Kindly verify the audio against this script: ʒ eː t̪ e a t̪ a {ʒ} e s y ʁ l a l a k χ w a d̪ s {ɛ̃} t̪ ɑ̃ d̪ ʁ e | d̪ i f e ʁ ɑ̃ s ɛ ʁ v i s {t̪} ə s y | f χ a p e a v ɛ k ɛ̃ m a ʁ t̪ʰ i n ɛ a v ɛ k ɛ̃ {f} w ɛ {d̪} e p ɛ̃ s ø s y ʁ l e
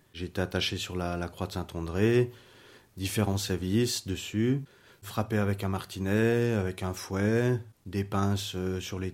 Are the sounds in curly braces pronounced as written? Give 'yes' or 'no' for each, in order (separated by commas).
no, yes, no, yes, yes